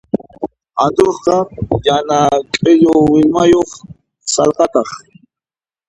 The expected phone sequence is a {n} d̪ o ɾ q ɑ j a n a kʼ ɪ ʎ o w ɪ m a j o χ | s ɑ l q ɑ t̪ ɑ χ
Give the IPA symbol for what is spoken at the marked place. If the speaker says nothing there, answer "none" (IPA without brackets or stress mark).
n